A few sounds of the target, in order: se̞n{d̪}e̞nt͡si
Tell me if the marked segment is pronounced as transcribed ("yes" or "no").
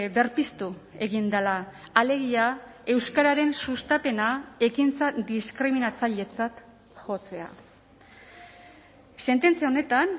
no